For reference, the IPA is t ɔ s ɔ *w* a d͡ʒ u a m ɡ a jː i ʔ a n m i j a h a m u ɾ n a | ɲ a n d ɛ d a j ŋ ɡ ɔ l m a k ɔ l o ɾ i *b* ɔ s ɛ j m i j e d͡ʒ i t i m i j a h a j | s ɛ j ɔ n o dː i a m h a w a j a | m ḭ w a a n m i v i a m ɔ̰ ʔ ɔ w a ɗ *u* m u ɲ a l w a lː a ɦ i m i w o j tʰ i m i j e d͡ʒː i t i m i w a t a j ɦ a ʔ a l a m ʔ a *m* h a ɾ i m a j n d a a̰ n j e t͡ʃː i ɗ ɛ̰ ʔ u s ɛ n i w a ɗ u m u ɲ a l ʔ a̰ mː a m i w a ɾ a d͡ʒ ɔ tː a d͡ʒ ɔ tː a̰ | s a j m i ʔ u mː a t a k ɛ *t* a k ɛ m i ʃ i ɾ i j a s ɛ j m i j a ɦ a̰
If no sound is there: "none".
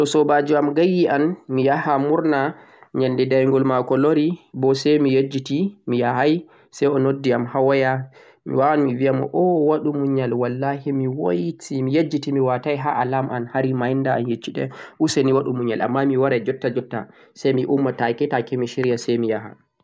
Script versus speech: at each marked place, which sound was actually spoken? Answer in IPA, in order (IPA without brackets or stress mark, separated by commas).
b, b, u, n, t